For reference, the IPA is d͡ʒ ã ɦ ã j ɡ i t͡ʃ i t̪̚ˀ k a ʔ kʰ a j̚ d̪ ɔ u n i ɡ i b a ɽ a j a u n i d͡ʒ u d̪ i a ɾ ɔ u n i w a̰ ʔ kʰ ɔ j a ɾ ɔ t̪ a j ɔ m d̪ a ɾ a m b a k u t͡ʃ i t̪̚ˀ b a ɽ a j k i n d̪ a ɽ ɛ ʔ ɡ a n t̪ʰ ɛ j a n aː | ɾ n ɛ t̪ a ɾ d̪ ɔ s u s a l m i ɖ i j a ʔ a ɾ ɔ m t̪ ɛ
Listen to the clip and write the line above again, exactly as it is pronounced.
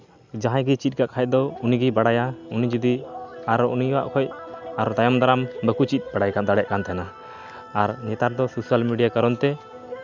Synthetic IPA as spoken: d͡ʒ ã ɦ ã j ɡ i t͡ʃ i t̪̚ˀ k a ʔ kʰ a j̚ d̪ ɔ u n i ɡ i b a ɽ a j a u n i d͡ʒ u d̪ i a ɾ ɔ u n i w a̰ ʔ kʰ ɔ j a ɾ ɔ t̪ a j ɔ m d̪ a ɾ a m b ə k u t͡ʃ i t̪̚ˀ b a ɽ a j k a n d̪ a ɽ ɛ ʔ k a n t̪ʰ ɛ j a n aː | ɾ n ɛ t̪ a ɾ d̪ ɔ s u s a l m i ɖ i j a k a ɾ ɔ n t̪ ɛ